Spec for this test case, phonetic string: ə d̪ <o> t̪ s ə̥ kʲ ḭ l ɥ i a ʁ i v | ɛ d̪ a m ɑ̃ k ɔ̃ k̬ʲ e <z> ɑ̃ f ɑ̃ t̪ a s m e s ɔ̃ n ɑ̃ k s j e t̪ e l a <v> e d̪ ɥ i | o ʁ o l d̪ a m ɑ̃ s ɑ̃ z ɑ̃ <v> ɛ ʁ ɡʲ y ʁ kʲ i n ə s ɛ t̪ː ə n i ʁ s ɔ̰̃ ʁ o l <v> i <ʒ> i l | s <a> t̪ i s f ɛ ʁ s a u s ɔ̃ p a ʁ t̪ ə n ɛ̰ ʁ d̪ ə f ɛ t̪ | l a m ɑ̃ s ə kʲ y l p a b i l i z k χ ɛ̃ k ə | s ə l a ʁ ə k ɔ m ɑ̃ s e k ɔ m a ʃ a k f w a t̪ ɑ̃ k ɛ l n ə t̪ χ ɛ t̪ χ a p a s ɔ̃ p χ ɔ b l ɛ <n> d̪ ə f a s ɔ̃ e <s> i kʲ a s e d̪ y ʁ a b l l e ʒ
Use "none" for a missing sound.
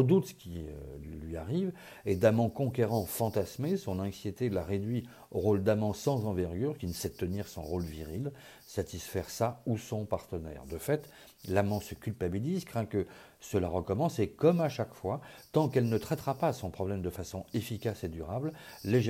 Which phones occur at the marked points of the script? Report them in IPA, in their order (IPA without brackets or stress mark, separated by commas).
u, ʁ, ʁ, v, v, ʁ, a, m, f